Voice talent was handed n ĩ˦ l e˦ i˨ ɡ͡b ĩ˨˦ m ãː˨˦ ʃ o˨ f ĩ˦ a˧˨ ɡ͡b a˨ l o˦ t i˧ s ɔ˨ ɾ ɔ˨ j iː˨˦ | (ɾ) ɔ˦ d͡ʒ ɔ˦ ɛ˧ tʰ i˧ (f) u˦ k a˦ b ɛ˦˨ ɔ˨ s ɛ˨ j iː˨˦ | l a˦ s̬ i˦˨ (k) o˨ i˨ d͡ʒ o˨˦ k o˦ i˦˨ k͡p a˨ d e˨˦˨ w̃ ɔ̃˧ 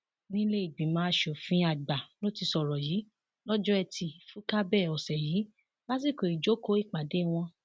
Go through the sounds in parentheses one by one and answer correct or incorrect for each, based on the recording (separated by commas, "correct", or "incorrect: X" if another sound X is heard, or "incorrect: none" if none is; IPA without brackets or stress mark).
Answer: incorrect: l, correct, correct